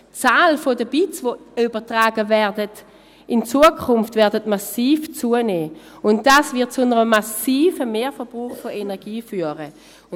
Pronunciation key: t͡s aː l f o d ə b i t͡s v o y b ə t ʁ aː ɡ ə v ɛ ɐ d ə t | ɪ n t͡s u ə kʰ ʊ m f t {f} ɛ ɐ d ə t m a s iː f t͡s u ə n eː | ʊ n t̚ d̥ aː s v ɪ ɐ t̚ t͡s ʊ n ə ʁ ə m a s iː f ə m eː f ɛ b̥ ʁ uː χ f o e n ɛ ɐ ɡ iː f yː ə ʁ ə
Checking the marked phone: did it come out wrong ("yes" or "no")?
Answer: yes